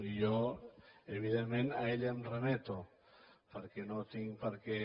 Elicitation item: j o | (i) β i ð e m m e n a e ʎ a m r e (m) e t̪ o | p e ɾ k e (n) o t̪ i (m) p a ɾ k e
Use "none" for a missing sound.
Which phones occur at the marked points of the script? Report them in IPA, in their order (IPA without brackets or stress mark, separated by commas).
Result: e, m, n, ŋ